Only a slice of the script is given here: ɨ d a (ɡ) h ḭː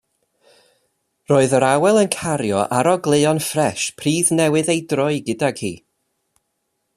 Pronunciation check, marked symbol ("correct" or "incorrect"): correct